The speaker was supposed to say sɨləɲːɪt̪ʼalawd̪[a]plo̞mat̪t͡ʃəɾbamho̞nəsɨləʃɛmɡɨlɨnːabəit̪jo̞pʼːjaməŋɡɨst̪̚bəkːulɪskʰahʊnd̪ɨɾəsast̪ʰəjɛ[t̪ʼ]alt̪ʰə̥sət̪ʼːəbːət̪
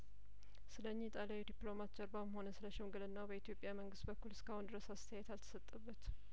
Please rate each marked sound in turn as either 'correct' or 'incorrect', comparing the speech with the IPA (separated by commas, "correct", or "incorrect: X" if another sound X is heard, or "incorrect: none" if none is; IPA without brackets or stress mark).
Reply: incorrect: i, incorrect: t̪